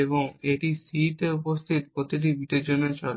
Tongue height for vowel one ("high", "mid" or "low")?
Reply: mid